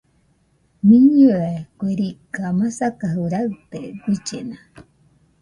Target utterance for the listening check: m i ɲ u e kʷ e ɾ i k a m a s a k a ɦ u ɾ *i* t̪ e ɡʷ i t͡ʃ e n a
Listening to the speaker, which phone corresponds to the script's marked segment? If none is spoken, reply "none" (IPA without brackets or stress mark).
a